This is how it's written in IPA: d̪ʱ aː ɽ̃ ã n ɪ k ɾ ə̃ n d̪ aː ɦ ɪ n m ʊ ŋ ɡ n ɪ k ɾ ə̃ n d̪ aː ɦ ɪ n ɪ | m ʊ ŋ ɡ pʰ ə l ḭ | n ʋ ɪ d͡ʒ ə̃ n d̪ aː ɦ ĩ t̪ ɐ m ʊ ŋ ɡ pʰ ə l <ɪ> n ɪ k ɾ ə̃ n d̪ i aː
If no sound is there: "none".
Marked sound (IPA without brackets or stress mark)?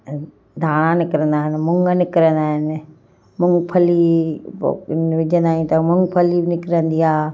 i